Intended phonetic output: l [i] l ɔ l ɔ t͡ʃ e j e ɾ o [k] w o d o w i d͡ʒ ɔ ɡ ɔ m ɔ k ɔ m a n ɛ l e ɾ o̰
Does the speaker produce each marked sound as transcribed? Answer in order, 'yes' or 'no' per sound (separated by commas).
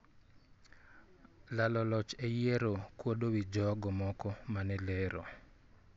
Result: no, yes